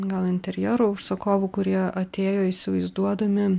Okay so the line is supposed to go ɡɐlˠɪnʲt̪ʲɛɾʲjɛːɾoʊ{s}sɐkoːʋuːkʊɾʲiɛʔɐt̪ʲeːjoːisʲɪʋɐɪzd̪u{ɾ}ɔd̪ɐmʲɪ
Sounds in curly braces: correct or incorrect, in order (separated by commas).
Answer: incorrect, incorrect